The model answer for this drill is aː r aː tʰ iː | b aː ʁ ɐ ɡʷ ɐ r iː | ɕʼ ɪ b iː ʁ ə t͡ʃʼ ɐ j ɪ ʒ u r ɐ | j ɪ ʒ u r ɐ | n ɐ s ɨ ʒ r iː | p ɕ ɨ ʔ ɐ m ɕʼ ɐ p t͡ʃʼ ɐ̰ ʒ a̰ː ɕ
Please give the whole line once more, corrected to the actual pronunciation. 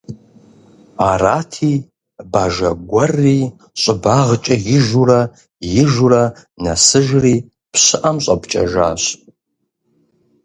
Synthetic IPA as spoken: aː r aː tʰ iː | b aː ʒ ɐ ɡʷ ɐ r iː | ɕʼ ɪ b aː ʁ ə t͡ʃʼ ɐ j ɪ ʒ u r ɐ | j ɪ ʒ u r ɐ | n ɐ s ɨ ʒ r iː | p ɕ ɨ ʔ ɐ m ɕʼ ɐ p t͡ʃʼ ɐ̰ ʒ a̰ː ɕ